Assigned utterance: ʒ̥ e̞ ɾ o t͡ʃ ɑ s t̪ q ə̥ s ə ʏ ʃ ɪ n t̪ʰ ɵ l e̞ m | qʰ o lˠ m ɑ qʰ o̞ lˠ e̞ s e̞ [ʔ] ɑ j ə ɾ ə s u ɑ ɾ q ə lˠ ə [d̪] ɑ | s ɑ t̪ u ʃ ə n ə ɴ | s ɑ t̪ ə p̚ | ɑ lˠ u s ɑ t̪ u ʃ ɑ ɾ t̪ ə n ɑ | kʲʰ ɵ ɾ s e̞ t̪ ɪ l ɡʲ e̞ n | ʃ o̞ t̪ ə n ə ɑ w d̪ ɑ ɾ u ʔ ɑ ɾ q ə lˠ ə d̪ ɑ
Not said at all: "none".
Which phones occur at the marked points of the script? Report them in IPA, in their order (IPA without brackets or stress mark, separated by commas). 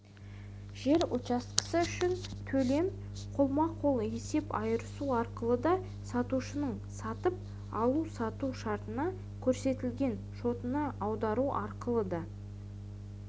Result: p, d̪